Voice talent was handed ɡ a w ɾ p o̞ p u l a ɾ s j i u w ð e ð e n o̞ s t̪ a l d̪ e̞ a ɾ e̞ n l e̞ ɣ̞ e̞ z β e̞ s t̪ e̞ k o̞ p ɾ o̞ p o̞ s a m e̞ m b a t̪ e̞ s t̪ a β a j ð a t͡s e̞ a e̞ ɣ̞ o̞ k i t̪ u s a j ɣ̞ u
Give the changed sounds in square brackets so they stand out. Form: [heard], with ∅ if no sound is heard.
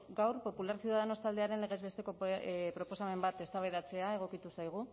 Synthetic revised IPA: ɡ a w ɾ p o̞ p u l a ɾ s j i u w ð [a] ð e n o̞ s t̪ a l d̪ e̞ a ɾ e̞ n l e̞ ɣ̞ e̞ z β e̞ s t̪ e̞ k o̞ p ɾ o̞ p o̞ s a m e̞ m b a t̪ e̞ s t̪ a β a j ð a t͡s e̞ a e̞ ɣ̞ o̞ k i t̪ u s a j ɣ̞ u